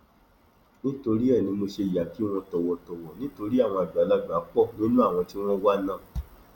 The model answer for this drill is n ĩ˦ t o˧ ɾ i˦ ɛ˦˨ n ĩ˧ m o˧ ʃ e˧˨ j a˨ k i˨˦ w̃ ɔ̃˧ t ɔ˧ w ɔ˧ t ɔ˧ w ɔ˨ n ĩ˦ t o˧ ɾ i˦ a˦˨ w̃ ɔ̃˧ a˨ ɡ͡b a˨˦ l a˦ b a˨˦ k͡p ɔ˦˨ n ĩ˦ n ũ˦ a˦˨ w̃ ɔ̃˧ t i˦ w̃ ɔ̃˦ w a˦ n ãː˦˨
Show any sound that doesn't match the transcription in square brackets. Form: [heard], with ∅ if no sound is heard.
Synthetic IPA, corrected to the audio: n ĩ˦ t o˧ ɾ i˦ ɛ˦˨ n ĩ˧ m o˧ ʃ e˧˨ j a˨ k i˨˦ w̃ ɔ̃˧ t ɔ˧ w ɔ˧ t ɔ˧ w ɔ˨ n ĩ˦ t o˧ ɾ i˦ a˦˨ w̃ ɔ̃˧ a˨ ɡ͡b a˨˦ l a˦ [ɡ͡b] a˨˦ k͡p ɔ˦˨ n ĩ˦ n ũ˦ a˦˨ w̃ ɔ̃˧ t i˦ w̃ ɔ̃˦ w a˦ n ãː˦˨